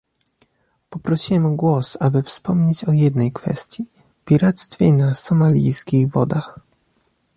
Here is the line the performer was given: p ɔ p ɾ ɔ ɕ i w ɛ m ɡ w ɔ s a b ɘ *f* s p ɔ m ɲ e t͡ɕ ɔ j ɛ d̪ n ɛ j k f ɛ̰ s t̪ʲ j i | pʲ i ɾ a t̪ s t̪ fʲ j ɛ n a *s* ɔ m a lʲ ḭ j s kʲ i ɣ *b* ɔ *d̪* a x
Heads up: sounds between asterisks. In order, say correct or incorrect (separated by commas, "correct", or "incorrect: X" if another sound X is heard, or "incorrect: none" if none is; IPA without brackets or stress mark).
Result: correct, correct, incorrect: v, correct